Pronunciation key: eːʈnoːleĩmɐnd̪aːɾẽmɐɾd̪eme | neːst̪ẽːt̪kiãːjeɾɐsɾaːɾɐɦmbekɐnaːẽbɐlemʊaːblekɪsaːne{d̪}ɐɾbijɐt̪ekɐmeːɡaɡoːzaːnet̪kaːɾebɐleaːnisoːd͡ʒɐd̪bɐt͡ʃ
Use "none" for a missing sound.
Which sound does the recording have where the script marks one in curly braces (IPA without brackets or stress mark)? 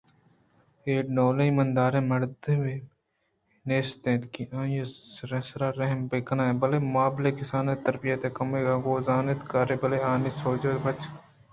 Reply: t̪